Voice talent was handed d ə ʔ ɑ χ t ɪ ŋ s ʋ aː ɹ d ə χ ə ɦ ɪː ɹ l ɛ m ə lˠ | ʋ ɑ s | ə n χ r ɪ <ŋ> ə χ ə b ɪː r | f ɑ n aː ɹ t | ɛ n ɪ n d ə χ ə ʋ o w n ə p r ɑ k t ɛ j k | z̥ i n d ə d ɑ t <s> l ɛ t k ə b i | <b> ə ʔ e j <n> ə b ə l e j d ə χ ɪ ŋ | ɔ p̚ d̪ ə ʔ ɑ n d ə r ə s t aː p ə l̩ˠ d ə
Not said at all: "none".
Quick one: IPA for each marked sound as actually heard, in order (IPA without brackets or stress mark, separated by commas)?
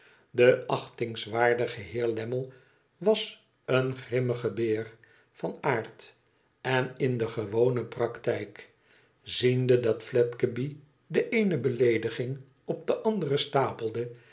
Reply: m, f, d, n